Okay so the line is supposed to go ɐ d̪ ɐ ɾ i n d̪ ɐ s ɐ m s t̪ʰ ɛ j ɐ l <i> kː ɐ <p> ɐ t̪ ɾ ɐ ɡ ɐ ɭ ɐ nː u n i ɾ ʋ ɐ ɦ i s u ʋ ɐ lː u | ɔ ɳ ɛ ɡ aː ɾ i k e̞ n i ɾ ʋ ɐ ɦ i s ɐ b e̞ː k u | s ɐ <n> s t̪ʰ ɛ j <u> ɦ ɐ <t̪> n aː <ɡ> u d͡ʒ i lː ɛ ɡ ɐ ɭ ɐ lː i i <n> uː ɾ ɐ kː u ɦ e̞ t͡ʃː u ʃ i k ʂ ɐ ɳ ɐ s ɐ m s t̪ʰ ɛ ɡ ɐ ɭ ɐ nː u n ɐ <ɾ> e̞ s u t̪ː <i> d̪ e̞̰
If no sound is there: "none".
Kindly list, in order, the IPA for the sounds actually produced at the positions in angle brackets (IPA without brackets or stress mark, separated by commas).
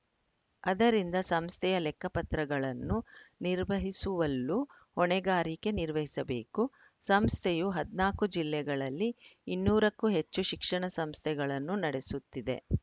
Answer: ɛ, p, m, u, d̪, k, nː, ɽ, i